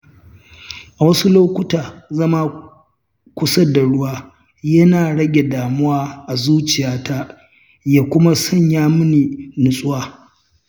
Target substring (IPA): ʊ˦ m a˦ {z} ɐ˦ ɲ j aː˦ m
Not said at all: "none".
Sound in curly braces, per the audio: s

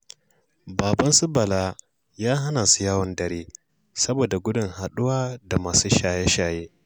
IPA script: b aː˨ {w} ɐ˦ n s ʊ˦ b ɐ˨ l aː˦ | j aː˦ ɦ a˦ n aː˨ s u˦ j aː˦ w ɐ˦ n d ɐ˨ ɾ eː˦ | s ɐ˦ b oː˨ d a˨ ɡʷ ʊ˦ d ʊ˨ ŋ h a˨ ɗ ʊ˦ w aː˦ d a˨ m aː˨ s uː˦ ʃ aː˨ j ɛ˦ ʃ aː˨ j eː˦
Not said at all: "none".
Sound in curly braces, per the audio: b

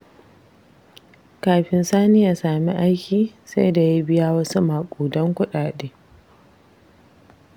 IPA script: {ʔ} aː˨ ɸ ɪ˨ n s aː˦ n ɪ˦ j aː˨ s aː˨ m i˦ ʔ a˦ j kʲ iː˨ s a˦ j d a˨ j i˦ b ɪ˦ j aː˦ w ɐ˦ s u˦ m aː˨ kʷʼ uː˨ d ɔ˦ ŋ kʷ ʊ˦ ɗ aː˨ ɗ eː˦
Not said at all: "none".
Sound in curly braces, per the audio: k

